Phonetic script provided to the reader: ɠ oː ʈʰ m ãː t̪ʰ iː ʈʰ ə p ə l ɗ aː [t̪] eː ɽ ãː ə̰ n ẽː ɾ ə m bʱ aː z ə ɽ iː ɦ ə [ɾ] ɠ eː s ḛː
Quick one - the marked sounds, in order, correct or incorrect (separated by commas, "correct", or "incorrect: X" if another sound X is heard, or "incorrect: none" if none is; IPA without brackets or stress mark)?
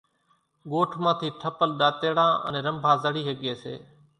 correct, incorrect: none